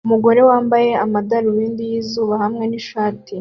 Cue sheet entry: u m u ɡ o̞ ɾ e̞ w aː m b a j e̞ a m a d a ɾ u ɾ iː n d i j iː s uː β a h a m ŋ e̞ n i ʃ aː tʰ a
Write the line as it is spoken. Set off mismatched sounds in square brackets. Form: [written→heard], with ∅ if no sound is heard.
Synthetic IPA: u m u ɡ o̞ ɾ e̞ w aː m b a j e̞ a m a d a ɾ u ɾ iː n d i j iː [s→z] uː β a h a m ŋ e̞ n i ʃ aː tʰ [a→i]